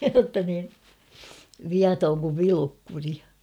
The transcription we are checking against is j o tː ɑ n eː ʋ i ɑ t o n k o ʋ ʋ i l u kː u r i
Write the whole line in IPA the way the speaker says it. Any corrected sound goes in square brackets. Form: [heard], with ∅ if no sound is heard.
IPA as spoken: j o tː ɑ n [iː] ʋ i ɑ t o [ŋ] k [u] ʋ ʋ i l u kː u r i